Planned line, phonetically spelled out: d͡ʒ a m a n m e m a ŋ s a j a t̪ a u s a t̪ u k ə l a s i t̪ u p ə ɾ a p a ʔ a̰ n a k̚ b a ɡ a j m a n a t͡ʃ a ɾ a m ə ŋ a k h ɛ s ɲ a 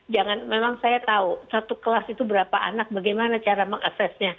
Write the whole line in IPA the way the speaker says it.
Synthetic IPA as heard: d͡ʒ a ŋ a n m e m a ŋ s a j a t̪ a u s a t̪ u k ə l a s i t̪ u b ə ɾ a p a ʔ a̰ n a k̚ b a ɡ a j m a n a t͡ʃ a ɾ a m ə ŋ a k s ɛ s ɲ a